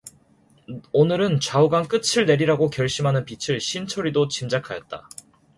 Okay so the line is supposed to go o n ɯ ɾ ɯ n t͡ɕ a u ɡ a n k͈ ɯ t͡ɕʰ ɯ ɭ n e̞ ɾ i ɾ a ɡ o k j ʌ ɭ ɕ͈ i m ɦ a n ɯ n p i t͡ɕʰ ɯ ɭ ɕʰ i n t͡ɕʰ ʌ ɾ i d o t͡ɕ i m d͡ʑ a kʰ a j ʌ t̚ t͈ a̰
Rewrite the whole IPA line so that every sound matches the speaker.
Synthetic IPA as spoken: o n ɯ ɾ ɯ n t͡ɕ a u ɡ a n k͈ ɯ t͡ɕʰ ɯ ɭ n e̞ ɾ i ɾ a ɡ o k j ʌ ɭ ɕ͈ i m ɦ a n ɯ n p i t͡ɕʰ ɯ ɭ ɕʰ i n t͡ɕʰ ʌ ɾ i d o t͡ɕ i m d͡ʑ a kʰ a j ʌ t̚ t͈ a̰